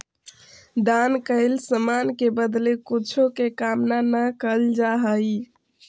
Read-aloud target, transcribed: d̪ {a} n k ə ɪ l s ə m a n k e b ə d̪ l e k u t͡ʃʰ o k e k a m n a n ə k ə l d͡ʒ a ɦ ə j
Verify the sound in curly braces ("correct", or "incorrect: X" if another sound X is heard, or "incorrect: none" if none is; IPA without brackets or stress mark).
correct